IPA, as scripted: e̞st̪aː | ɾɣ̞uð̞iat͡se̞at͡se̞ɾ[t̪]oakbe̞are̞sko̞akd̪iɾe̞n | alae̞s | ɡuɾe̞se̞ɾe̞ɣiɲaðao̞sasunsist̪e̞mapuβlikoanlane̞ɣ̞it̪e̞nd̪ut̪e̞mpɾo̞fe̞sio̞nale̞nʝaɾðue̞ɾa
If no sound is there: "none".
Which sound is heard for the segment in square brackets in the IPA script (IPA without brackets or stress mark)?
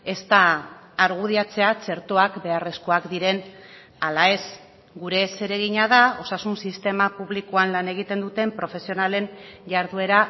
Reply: t̪